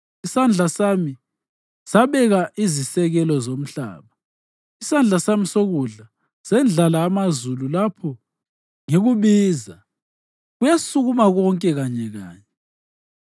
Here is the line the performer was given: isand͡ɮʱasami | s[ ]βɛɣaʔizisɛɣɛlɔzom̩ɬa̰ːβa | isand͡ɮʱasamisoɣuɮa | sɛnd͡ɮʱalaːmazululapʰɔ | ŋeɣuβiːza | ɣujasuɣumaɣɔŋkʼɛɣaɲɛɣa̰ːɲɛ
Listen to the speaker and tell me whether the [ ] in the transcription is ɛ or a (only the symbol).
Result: a